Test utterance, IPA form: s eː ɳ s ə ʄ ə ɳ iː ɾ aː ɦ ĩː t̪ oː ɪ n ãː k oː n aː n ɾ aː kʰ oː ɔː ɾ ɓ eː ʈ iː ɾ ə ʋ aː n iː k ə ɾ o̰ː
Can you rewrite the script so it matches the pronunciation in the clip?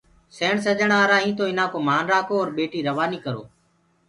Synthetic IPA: s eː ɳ s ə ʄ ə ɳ aː ɾ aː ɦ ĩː t̪ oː ɪ n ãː k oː m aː n ɾ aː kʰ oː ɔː ɾ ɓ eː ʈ iː ɾ ə ʋ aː n iː k ə ɾ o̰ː